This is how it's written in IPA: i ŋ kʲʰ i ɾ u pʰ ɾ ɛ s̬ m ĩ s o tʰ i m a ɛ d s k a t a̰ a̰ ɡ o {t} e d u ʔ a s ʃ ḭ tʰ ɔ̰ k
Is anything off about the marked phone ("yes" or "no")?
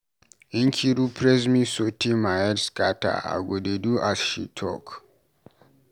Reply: yes